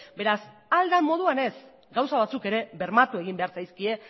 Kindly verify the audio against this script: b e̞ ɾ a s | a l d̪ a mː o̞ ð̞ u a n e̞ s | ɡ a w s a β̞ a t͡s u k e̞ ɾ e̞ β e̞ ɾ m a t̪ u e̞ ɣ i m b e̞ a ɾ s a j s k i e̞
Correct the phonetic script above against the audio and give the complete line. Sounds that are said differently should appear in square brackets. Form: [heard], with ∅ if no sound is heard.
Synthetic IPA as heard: b e̞ ɾ a s | a l d̪ a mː o̞ ð̞ u a n e̞ s | ɡ a w s a β̞ a t͡s u k e̞ ɾ e̞ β e̞ ɾ m a t̪ u e̞ ɣ i m b e̞ a ɾ s a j s k i e̞